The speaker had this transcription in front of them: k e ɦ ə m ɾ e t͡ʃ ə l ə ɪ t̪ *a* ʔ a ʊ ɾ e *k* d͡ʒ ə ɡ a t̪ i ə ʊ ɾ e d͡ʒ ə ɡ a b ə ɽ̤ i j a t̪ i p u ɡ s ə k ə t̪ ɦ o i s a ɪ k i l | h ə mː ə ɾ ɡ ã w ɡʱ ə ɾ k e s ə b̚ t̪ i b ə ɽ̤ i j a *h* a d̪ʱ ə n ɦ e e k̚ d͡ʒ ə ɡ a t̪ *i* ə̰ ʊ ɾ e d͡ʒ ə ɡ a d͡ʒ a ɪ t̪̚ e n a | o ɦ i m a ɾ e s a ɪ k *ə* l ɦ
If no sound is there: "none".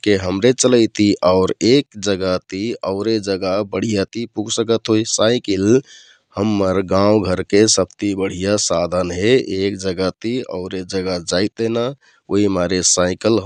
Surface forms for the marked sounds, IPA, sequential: i, k, s, i, ə

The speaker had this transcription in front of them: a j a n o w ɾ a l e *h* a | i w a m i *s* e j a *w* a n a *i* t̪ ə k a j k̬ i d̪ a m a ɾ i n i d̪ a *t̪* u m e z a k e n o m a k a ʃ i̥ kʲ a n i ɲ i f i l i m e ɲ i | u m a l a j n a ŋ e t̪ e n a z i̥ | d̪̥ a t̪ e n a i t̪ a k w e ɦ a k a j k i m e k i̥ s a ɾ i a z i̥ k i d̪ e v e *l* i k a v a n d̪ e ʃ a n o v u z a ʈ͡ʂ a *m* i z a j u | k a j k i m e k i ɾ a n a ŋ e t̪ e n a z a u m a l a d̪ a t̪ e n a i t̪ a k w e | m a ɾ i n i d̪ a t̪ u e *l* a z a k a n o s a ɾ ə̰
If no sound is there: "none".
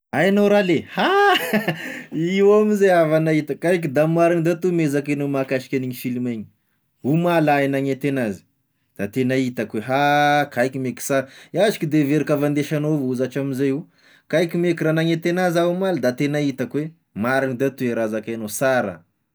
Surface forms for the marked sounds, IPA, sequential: h, z, v, i, t̪, ɾ, m, ɾ

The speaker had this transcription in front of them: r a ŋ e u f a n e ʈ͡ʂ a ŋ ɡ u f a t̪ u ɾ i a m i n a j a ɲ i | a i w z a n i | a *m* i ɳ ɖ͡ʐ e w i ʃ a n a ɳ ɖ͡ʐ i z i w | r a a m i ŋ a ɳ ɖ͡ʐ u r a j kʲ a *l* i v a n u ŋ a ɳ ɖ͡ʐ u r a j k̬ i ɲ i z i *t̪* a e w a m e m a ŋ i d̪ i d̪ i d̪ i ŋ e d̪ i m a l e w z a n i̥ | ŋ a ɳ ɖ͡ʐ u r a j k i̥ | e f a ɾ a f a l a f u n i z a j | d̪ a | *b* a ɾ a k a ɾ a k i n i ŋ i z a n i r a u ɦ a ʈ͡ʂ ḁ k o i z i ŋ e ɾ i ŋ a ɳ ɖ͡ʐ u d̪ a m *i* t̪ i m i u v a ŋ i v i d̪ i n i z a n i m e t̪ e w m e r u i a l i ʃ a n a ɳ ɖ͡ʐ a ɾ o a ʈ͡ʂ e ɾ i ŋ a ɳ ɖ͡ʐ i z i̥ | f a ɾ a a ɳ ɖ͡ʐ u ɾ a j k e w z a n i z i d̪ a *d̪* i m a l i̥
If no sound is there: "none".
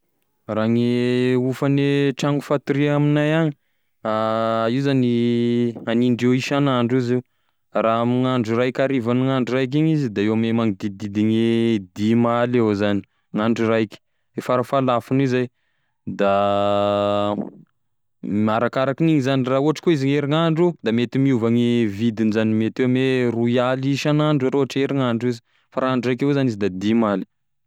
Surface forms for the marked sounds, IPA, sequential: n, ɾ, d̪, m, e, d̪

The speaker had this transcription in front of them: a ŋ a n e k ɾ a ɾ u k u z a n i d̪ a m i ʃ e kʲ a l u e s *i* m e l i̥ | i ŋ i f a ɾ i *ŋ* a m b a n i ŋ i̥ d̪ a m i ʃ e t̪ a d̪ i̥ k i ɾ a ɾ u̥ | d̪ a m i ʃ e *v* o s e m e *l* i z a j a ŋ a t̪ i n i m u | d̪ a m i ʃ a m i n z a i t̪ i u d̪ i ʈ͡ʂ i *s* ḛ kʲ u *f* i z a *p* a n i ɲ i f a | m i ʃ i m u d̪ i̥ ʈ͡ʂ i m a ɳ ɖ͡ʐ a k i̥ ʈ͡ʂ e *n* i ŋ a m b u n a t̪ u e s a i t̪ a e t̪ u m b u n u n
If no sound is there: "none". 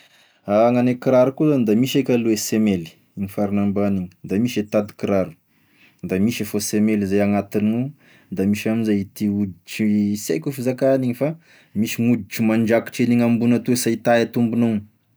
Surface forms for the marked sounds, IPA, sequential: e, n, f, l, s, f, k, n

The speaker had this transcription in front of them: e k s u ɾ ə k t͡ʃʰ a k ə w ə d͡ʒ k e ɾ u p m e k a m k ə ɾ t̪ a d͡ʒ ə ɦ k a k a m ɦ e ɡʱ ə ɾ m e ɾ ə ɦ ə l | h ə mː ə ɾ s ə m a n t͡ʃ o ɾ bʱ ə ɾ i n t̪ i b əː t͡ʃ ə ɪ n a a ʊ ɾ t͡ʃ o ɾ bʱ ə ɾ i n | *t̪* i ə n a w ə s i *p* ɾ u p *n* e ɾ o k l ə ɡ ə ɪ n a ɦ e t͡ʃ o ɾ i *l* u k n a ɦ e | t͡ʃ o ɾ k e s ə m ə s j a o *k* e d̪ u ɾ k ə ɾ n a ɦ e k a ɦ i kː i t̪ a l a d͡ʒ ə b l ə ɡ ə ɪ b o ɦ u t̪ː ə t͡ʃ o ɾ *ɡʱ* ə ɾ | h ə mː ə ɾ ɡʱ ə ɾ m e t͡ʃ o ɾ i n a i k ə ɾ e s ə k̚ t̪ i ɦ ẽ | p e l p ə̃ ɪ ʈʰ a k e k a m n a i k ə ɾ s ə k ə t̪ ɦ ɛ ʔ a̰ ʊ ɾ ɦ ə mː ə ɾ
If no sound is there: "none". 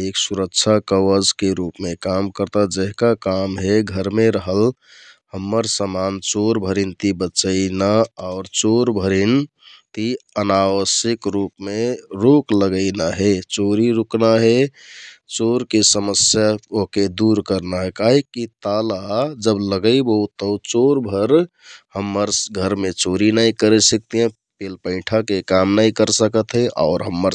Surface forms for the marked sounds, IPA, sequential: t̪, k, m, ɾ, k, bʱ

